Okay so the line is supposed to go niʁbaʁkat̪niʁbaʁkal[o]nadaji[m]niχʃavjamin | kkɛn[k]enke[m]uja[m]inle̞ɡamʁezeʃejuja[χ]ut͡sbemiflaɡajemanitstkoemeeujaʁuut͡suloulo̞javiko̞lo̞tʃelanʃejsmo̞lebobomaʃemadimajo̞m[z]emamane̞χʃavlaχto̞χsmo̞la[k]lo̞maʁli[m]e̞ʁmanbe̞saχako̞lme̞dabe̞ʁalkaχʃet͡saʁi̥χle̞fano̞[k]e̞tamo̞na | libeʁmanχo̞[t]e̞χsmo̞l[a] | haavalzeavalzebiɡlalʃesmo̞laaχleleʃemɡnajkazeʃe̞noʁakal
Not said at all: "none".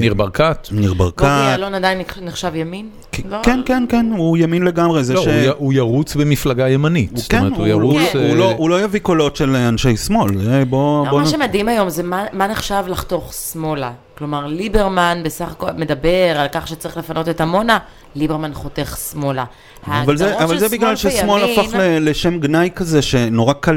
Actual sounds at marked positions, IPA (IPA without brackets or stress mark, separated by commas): o, n, k, n, m, ʁ, z, k, b, t, t, a